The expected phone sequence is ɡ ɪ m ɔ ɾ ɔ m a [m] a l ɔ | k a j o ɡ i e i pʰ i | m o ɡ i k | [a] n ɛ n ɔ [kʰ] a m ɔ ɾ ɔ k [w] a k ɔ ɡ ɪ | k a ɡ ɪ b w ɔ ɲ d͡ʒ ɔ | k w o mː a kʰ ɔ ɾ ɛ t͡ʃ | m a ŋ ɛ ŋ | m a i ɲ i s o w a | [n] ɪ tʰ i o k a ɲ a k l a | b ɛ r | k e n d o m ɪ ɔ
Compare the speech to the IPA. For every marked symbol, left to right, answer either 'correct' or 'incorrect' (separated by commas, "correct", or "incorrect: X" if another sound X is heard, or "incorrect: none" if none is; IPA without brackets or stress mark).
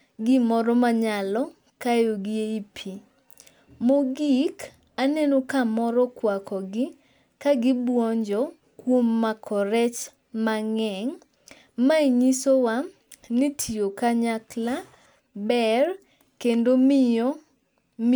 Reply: incorrect: ɲ, correct, incorrect: k, correct, correct